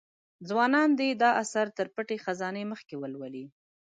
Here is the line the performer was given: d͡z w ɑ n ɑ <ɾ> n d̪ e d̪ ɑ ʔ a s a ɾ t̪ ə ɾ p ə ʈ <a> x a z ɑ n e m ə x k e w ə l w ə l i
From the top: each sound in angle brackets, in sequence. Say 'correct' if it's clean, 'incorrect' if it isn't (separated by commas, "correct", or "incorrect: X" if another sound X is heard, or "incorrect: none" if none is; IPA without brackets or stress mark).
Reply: incorrect: none, incorrect: e